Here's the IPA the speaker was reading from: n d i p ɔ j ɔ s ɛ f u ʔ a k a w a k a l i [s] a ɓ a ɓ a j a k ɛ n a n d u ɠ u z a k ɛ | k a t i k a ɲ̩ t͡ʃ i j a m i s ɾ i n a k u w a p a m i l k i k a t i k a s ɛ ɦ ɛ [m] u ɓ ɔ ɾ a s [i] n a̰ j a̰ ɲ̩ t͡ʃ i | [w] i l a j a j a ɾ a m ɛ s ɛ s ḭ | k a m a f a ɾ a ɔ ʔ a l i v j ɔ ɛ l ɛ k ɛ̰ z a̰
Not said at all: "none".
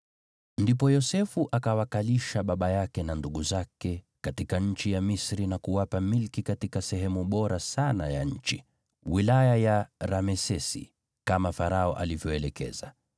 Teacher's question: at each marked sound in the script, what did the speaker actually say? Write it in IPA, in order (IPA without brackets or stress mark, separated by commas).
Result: ʃ, m, a, w